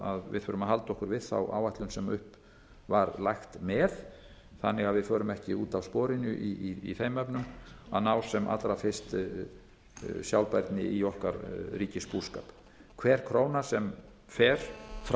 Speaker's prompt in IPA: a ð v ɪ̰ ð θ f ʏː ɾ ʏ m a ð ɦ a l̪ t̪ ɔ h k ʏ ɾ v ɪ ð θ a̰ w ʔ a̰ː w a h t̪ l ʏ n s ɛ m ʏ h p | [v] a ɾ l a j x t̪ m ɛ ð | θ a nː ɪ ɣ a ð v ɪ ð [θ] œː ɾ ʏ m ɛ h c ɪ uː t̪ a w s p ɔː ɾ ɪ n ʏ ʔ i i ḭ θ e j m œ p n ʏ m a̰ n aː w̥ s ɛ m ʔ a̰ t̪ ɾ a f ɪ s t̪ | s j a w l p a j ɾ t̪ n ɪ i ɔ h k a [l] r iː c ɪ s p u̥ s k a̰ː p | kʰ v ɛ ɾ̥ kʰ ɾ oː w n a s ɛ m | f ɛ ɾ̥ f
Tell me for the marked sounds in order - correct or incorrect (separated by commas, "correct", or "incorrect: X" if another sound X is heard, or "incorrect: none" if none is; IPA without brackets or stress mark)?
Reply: correct, incorrect: f, incorrect: ɾ